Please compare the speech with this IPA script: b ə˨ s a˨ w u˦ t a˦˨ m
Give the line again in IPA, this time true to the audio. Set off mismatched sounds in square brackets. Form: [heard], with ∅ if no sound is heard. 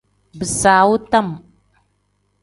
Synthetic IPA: b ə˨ s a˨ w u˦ t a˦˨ m